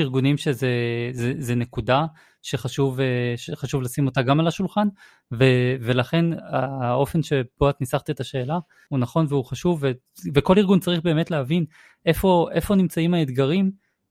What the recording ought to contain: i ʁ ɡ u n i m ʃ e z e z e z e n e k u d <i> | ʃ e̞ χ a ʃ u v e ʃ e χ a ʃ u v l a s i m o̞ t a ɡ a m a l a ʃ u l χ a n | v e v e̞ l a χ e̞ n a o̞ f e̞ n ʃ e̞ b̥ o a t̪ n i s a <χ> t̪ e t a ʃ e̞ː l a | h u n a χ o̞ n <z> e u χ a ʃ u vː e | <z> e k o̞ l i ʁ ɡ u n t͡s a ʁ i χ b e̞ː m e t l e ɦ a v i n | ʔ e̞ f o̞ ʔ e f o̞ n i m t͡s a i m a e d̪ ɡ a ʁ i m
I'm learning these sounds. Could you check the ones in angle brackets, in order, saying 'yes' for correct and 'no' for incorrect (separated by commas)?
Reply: no, yes, no, no